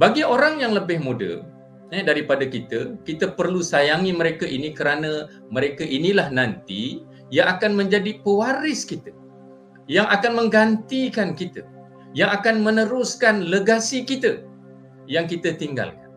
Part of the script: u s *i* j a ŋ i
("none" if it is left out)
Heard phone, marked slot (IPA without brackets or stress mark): a